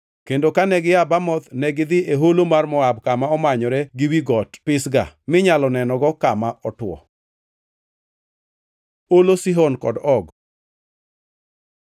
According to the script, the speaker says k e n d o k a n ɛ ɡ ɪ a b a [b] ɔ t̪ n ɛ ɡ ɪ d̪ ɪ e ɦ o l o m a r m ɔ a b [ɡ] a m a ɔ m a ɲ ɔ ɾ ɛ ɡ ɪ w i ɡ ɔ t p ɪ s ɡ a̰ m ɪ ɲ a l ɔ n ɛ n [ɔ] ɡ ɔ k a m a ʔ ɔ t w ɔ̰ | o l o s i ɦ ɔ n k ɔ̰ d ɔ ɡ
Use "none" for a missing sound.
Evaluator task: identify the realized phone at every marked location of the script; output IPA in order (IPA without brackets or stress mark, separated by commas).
m, k, ɔ